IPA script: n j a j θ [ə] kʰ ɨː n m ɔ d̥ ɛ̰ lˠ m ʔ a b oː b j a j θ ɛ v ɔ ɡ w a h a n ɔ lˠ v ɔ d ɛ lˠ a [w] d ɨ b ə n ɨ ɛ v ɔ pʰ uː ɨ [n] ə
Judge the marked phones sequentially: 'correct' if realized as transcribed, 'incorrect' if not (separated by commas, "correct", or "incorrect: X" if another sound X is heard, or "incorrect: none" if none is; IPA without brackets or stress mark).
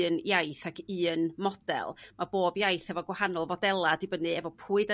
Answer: incorrect: a, incorrect: none, incorrect: d